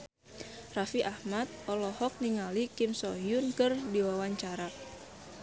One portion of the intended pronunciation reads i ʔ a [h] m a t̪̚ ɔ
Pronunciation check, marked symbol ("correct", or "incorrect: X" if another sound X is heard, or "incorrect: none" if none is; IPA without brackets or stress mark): correct